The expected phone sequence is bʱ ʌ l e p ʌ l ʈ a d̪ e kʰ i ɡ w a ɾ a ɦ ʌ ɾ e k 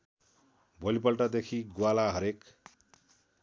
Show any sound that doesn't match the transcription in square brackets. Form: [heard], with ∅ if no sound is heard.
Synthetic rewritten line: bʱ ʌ l [i] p ʌ l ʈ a d̪ e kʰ i ɡ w a [l] a ɦ ʌ ɾ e k